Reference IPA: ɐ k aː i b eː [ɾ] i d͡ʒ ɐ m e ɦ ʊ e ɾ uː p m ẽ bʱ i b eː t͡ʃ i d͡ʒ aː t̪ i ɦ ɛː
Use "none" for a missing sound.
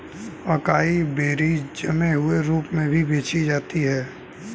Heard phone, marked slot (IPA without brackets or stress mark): ɾ